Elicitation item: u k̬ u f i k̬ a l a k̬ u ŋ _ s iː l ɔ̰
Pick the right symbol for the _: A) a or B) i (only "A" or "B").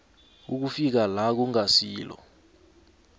A